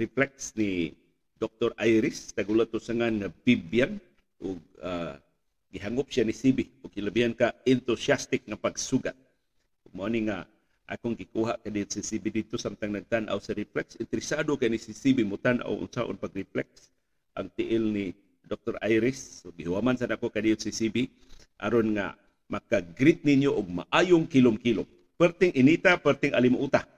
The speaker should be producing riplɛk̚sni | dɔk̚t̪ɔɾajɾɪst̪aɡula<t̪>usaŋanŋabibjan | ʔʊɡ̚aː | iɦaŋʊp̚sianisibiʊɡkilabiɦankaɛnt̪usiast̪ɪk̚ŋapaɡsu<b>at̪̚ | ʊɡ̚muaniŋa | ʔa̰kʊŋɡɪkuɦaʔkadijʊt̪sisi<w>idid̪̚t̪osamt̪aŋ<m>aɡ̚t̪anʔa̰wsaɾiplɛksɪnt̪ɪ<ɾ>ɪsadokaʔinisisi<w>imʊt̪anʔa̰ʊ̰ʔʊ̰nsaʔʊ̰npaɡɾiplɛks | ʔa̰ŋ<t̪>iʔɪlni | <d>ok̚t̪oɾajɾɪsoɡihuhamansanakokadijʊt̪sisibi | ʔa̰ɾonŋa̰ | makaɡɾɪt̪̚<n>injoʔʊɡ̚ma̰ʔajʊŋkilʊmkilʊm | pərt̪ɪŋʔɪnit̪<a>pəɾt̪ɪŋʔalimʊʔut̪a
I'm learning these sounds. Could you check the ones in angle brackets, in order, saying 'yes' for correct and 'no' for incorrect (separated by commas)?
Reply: yes, no, no, no, yes, no, yes, yes, yes, yes